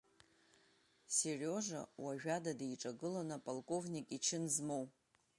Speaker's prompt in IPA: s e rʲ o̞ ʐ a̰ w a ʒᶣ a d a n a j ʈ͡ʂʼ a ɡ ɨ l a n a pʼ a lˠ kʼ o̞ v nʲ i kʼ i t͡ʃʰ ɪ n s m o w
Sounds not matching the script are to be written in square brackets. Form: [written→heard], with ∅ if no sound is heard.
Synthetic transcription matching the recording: s e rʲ o̞ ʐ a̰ w a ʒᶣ a d a [n→d] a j ʈ͡ʂʼ a ɡ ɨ l a n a pʼ a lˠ kʼ o̞ v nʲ i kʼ i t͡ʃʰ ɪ n [s→z] m o w